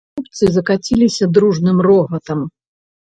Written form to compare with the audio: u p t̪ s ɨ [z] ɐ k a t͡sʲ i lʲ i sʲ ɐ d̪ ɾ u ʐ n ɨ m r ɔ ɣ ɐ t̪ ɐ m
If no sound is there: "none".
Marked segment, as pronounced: z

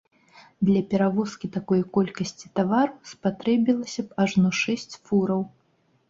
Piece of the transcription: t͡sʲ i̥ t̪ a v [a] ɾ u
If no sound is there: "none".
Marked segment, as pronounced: a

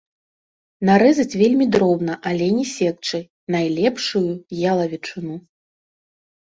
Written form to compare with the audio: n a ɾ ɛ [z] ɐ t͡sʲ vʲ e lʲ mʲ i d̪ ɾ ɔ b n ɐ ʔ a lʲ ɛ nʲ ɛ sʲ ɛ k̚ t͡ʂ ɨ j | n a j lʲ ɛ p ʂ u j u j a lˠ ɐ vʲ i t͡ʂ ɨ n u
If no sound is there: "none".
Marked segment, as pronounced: z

